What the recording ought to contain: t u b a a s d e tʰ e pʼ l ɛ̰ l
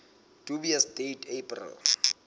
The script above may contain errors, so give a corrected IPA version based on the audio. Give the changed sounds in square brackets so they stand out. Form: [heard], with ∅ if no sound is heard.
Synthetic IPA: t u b [i] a s d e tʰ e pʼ [r] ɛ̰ l